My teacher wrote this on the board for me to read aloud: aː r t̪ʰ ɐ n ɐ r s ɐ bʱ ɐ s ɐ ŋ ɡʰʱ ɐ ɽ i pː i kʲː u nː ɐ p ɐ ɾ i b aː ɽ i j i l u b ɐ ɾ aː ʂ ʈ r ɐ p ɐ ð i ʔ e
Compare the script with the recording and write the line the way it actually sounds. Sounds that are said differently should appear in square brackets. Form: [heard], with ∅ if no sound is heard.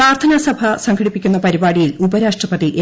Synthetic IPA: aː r t̪ʰ ɐ n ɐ [∅] s ɐ bʱ ɐ s ɐ ŋ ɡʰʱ ɐ ɽ i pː i kʲː u nː ɐ p ɐ ɾ i b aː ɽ i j i l u b ɐ ɾ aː ʂ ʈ r ɐ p ɐ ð i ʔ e